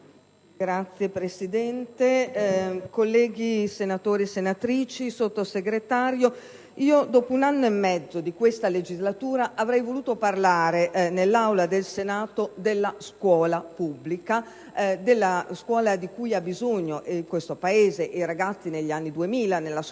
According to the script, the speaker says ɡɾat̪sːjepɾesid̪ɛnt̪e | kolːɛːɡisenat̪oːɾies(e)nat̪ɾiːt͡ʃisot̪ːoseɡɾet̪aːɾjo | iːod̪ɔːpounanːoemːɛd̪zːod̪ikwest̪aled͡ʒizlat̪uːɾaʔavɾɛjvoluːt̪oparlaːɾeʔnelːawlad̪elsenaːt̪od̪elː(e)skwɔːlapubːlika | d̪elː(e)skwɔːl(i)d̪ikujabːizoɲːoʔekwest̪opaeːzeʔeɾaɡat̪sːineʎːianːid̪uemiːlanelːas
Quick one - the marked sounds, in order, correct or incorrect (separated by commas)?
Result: correct, incorrect, incorrect, incorrect